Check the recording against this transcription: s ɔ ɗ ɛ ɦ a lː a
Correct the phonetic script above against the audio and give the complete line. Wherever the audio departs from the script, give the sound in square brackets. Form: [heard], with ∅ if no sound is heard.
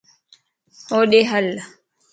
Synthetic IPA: [h] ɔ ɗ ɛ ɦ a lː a

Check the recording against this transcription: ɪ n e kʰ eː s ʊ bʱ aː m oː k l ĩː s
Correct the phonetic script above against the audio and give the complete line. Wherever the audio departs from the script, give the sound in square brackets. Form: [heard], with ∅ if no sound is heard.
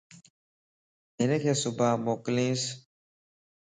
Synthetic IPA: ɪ n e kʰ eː s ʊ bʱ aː m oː k l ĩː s

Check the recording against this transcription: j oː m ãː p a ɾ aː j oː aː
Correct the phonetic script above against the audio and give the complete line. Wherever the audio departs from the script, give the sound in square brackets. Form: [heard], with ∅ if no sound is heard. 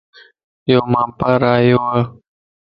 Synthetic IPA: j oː m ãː p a ɾ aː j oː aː

